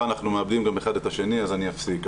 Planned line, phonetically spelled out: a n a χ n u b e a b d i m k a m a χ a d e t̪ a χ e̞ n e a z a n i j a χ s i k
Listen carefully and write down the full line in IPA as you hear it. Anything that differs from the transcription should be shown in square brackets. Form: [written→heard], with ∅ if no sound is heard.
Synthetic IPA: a n a χ n u [b→m] e a b d i m [k→ɡ] a m [a→e] χ a d e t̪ a [χ→ʃ] e̞ n [e→i] a z a n i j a [χ→f] s i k